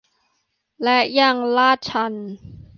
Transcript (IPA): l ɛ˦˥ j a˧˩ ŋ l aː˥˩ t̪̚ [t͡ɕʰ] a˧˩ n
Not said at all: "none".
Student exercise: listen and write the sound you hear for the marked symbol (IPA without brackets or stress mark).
t͡ɕʰ